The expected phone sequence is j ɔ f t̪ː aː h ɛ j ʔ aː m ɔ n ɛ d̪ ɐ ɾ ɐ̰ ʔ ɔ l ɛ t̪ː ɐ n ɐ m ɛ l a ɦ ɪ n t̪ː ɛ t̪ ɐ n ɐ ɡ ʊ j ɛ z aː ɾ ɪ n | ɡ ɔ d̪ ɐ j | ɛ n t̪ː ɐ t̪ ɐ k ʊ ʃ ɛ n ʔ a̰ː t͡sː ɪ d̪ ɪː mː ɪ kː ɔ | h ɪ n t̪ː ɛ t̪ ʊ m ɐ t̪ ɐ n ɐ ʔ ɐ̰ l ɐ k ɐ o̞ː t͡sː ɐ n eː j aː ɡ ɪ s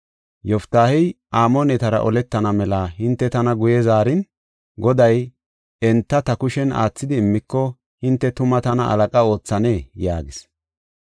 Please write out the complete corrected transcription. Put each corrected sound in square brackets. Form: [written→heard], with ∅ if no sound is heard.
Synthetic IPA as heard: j ɔ f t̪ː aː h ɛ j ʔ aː m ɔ n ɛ [d̪→t̪] ɐ ɾ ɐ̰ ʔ ɔ l ɛ t̪ː ɐ n ɐ m ɛ l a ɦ ɪ n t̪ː ɛ t̪ ɐ n ɐ ɡ ʊ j ɛ z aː ɾ ɪ n | ɡ ɔ d̪ ɐ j | ɛ n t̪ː ɐ t̪ ɐ k ʊ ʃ ɛ n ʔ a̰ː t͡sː ɪ d̪ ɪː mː ɪ kː ɔ | h ɪ n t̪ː ɛ t̪ ʊ m ɐ t̪ ɐ n ɐ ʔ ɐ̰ l ɐ [k→kʼ] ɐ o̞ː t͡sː ɐ n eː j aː ɡ ɪ s